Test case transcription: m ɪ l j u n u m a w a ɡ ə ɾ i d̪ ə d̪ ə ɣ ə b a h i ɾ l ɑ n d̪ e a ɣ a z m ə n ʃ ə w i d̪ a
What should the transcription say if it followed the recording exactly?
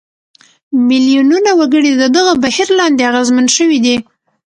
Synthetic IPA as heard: m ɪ l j u n u n a w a ɡ ə ɽ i d̪ ə d̪ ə ɣ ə b a h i ɾ l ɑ n d̪ e a ɣ a z m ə n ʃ ə w i d̪ i